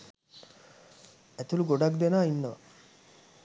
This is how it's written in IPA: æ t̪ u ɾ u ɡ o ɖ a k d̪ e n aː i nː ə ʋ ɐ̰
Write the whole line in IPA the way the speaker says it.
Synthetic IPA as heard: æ t̪ u l u ɡ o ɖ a k d̪ e n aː i nː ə ʋ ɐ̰